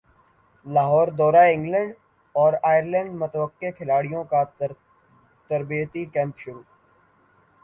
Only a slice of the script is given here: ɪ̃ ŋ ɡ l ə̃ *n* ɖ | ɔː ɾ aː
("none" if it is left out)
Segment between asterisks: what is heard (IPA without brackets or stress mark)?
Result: ɳ